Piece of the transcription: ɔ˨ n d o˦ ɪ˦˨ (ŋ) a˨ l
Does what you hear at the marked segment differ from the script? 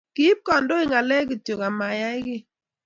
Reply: no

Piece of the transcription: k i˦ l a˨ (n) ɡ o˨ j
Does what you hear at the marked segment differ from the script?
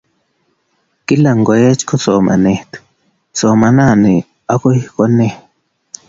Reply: yes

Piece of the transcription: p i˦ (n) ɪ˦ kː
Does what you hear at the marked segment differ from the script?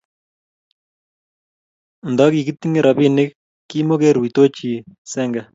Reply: no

